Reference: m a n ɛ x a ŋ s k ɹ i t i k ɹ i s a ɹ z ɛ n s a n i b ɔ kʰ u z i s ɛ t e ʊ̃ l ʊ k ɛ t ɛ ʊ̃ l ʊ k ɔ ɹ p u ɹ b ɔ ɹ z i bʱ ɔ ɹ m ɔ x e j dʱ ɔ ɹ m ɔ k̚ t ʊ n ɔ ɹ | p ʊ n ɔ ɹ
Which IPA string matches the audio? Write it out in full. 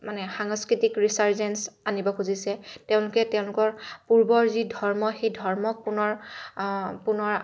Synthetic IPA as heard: m a n ɛ x a ŋ s k ɹ i t i k ɹ i s a ɹ z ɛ n s a n i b ɔ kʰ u z i s ɛ t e ʊ̃ l ʊ k ɛ t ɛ ʊ̃ l ʊ k ɔ ɹ p u ɹ b ɔ ɹ z i dʱ ɔ ɹ m ɔ x e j dʱ ɔ ɹ m ɔ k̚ p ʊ n ɔ ɹ | p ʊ n ɔ ɹ